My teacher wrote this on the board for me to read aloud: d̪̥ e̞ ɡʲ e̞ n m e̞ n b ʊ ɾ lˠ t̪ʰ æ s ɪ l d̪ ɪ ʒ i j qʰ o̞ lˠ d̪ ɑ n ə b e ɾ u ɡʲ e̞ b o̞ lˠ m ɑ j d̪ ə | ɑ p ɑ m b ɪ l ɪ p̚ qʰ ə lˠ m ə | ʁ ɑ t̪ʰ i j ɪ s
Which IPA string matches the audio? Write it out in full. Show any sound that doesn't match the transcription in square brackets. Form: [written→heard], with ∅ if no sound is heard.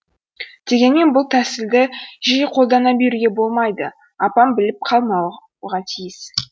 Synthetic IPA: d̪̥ e̞ ɡʲ e̞ n m e̞ n b ʊ [ɾ→∅] lˠ t̪ʰ æ s ɪ l d̪ ɪ ʒ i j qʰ o̞ lˠ d̪ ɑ n [ə→ɑ] b e ɾ u ɡʲ e̞ b o̞ lˠ m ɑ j d̪ ə | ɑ p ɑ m b ɪ l ɪ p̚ qʰ [ə→ɑ] lˠ m [ə→ɑ] | ʁ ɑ t̪ʰ i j ɪ s